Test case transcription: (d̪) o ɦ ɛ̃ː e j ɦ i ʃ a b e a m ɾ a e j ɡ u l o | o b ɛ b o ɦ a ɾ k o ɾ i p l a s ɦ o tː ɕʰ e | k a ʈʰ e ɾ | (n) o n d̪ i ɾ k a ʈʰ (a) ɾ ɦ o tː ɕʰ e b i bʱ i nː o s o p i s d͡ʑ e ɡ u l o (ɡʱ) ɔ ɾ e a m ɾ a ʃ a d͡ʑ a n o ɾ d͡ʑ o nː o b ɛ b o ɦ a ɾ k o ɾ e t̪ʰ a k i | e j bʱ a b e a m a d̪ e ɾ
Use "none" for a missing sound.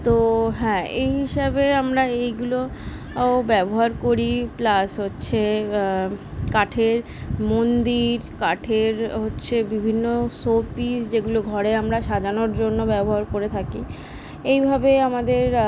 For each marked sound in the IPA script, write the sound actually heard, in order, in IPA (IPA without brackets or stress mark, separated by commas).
t̪, m, e, ɡʱ